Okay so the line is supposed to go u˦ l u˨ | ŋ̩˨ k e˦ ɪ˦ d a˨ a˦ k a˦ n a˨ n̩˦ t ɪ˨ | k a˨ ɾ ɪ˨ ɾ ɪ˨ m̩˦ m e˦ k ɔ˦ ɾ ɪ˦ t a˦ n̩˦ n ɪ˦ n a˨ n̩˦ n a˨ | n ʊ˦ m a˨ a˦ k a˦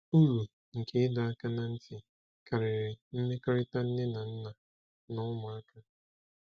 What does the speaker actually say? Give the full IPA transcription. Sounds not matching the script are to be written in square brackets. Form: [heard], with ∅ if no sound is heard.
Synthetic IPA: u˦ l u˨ | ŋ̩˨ k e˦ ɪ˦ d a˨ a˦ k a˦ n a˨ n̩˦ t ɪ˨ | k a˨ ɾ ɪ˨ ɾ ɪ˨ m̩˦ m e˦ k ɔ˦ ɾ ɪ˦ t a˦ n̩˦ n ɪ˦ n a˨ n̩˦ n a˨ | n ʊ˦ m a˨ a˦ k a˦

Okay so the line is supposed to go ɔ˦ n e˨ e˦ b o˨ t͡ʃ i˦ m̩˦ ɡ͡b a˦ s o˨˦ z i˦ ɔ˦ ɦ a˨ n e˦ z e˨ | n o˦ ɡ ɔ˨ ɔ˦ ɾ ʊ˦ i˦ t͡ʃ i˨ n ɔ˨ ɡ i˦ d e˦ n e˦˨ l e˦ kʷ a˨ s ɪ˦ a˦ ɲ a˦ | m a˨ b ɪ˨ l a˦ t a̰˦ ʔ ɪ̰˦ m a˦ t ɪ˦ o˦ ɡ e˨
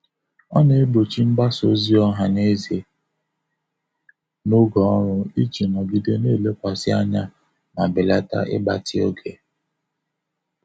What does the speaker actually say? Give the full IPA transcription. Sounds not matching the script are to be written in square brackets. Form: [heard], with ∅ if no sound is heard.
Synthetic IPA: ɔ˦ n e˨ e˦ b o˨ t͡ʃ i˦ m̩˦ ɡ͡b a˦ s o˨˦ z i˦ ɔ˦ ɦ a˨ n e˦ z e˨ | n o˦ ɡ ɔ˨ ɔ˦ ɾ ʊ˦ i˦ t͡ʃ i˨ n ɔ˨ ɡ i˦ d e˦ n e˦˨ l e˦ kʷ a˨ s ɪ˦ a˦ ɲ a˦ | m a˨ b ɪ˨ l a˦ t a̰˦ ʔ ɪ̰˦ [b] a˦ t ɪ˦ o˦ ɡ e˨

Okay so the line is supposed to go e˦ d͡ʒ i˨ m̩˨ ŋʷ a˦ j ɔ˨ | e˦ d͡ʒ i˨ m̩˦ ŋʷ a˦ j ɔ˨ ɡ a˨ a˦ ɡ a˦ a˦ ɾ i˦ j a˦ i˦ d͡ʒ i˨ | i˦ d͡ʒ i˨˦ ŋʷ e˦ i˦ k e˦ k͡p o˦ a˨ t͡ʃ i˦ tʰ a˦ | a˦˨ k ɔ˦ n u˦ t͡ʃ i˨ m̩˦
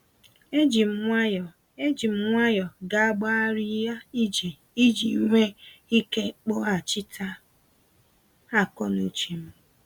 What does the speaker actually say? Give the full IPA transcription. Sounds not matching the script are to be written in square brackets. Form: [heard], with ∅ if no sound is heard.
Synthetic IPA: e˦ d͡ʒ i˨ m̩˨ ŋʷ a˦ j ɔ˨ | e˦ d͡ʒ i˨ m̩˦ ŋʷ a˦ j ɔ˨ ɡ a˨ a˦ [ɡ͡b] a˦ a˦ ɾ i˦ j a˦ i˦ d͡ʒ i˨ | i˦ d͡ʒ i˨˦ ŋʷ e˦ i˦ k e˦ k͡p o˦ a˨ t͡ʃ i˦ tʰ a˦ | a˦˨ k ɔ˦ n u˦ t͡ʃ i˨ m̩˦

